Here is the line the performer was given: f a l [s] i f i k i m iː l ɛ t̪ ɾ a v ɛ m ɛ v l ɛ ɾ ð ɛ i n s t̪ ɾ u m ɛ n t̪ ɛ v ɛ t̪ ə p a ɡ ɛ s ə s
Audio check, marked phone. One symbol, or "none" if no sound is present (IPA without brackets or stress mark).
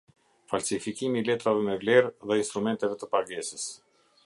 s